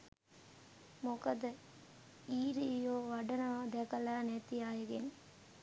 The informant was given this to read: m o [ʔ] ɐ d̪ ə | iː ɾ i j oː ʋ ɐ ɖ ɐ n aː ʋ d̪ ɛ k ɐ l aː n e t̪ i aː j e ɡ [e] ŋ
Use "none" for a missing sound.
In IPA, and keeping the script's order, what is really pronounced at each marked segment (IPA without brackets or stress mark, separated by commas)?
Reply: k, e